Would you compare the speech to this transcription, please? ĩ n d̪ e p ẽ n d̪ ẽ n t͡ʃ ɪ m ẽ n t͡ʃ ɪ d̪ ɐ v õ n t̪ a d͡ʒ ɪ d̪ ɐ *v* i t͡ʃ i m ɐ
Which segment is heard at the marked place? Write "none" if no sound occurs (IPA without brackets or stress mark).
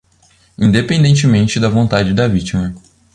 v